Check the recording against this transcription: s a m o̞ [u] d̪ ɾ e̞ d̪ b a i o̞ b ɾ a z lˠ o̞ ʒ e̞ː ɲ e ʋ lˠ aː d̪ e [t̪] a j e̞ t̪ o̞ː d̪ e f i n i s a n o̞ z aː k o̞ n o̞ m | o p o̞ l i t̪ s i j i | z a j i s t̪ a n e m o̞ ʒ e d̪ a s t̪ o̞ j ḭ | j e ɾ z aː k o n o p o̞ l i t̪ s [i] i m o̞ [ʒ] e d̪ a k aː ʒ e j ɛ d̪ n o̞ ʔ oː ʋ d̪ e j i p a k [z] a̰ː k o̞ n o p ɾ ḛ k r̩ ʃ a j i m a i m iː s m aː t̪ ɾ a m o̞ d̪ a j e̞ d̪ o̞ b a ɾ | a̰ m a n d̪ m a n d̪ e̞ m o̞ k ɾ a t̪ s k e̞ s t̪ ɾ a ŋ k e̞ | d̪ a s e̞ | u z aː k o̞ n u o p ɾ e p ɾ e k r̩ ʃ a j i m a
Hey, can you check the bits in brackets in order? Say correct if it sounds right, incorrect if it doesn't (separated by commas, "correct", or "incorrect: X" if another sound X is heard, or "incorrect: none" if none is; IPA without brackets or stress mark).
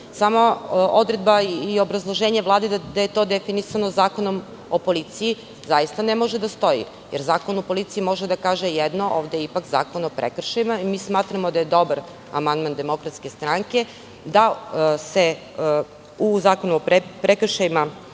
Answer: incorrect: o, incorrect: d̪, correct, correct, correct